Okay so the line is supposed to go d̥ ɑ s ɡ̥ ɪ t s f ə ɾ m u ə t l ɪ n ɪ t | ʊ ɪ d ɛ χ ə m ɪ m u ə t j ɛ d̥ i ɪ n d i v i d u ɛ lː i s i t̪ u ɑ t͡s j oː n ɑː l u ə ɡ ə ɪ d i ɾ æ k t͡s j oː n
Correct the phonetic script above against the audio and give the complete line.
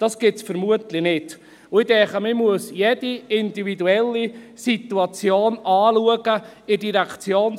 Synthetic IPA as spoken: d̥ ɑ s ɡ̥ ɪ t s f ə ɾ m u ə t l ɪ n ɪ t | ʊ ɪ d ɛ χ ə m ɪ m u ə s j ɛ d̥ i ɪ n d i v i d u ɛ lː i s i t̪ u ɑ t͡s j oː n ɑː l u ə ɡ ə ɪ d i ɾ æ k t͡s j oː n